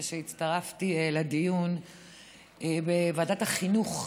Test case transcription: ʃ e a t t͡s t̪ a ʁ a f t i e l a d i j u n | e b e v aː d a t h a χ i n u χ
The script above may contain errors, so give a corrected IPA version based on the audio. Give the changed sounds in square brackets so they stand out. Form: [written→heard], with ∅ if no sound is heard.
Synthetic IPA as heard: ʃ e [a→i] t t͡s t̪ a ʁ a f t i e l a d i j u n | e b e v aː d a t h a χ i n u χ